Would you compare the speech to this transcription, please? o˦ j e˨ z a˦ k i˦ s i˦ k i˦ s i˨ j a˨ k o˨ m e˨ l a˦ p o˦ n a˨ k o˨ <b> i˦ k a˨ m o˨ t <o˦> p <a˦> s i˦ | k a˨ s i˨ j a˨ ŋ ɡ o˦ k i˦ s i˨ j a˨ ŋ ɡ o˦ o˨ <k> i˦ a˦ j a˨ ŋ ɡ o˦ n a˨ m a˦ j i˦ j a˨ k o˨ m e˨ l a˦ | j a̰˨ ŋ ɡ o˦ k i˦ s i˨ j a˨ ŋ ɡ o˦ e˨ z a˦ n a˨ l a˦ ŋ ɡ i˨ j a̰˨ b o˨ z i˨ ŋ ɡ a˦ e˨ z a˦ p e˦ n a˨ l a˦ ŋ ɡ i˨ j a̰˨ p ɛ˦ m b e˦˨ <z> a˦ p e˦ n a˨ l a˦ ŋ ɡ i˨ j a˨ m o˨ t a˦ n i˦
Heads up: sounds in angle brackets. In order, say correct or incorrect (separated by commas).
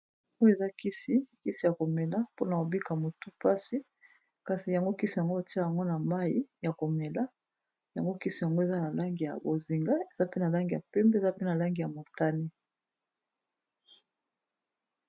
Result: correct, incorrect, correct, incorrect, correct